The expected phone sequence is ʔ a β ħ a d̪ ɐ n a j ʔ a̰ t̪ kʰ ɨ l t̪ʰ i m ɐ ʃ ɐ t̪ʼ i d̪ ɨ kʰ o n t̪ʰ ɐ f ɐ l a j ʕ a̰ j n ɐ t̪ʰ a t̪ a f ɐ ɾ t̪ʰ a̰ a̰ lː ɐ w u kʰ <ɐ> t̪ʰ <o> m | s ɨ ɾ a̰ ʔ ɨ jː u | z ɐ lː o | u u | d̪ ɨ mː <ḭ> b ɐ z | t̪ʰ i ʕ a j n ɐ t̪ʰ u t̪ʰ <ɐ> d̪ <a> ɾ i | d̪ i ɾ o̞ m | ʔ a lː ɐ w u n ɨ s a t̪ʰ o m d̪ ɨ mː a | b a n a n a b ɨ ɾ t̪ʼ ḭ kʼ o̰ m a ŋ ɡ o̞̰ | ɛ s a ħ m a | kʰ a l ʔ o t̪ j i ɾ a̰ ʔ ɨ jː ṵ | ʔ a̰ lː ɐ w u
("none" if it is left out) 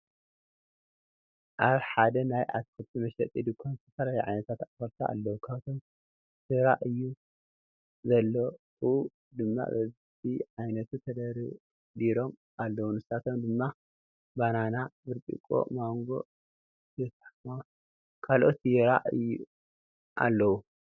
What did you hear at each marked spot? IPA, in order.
a, o, a̰, ɐ, ɐ

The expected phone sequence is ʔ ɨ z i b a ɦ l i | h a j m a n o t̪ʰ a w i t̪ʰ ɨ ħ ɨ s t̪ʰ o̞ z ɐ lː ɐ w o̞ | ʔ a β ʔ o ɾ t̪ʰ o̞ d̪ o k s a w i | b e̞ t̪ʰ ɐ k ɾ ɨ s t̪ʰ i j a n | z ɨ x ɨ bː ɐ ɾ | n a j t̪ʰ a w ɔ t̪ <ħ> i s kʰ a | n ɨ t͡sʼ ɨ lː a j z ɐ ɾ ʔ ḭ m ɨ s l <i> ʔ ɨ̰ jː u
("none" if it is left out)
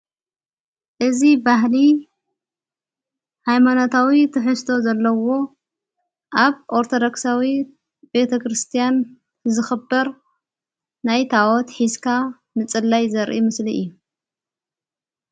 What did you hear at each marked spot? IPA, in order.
ħ, i

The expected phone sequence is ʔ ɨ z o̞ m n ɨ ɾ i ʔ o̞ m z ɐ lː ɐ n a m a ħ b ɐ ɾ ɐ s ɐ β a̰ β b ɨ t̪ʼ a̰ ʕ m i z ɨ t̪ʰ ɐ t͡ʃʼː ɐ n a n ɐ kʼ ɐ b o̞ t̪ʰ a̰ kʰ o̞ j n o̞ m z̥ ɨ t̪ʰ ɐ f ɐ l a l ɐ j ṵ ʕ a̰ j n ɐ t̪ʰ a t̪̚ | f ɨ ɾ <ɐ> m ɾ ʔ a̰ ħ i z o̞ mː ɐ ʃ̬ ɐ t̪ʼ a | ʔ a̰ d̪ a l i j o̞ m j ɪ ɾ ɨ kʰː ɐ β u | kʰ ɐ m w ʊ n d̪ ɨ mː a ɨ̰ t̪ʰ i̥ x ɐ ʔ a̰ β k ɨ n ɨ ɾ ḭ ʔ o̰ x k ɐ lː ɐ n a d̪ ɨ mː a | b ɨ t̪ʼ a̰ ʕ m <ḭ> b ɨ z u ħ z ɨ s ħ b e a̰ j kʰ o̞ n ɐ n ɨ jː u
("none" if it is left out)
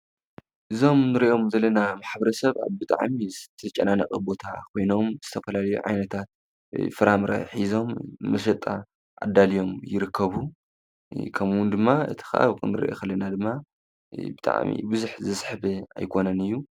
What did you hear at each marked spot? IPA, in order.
a, ḭ

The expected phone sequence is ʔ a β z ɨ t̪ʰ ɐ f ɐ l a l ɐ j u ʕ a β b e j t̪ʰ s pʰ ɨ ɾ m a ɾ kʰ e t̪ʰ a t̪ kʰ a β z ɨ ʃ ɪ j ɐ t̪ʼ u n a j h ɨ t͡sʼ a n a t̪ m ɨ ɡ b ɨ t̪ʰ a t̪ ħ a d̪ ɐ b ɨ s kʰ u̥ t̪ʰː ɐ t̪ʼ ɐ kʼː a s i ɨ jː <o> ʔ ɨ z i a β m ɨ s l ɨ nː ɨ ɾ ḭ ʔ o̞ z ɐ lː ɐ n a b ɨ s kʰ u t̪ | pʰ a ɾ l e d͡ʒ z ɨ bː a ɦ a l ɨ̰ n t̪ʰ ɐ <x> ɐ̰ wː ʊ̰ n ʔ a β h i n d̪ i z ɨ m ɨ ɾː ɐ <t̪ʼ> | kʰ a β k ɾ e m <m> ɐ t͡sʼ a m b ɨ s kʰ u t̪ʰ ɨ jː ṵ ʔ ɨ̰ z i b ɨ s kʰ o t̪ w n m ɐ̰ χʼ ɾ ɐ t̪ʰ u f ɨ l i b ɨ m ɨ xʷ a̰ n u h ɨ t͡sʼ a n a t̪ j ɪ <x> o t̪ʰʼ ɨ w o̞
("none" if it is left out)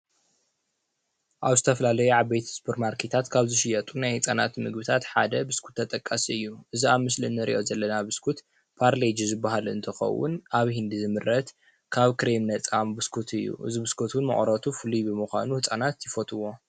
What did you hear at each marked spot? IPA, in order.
u, x, t̪, n, f

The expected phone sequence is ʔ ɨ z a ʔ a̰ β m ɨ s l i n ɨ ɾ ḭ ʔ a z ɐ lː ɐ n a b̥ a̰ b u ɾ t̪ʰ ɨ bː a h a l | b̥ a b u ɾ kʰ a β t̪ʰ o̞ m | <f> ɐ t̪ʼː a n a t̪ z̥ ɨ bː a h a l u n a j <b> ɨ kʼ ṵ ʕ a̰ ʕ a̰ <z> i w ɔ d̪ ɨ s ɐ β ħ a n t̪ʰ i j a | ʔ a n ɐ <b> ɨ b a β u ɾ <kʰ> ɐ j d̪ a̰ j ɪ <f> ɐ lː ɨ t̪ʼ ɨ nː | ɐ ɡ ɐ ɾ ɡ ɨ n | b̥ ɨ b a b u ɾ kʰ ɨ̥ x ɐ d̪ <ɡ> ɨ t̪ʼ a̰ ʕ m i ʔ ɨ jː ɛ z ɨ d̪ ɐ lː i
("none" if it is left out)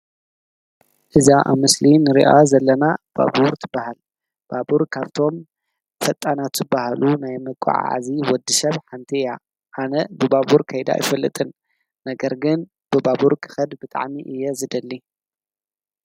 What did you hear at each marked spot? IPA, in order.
f, m, z, b, kʰ, f, b

